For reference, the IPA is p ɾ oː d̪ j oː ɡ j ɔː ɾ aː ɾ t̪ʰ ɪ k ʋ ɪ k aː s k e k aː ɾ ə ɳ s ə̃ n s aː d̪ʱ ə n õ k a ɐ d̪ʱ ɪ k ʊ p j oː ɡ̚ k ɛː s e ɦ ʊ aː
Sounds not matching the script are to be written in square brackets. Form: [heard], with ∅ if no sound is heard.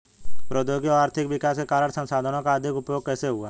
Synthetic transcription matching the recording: p ɾ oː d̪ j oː ɡ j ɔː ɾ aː ɾ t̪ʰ ɪ k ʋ ɪ k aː s k e k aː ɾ ə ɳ s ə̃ n s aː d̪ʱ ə n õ k a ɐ d̪ʱ ɪ k ʊ p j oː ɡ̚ k ɛː s e ɦ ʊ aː